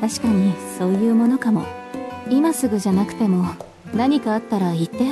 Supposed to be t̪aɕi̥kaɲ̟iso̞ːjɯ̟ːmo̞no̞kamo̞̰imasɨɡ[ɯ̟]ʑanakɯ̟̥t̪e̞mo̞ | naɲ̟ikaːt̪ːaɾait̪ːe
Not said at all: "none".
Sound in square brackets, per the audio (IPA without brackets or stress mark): ɯ̟